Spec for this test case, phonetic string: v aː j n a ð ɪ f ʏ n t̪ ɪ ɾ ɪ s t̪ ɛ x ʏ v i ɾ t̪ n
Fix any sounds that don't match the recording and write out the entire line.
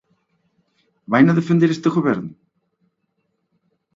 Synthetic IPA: v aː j n a ð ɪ f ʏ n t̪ ɪ ɾ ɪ s t̪ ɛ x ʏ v ɛ ɾ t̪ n